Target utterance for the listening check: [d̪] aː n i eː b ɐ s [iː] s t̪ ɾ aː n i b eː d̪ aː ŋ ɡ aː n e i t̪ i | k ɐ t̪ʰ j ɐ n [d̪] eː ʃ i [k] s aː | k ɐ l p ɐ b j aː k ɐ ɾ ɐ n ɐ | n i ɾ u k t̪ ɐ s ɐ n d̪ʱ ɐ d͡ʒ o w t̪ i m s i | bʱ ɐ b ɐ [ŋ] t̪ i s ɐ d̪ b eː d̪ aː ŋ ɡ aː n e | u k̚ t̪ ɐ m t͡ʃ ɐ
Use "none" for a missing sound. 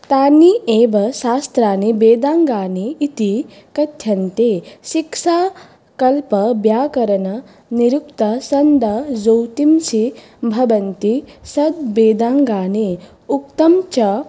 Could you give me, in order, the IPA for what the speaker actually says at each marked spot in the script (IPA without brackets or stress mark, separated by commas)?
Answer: t̪, aː, t̪, k, n